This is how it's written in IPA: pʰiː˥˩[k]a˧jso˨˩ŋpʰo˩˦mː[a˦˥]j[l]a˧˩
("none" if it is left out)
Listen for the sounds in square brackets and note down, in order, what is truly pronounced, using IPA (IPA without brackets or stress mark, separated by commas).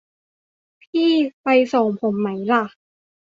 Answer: p, a˦˥, l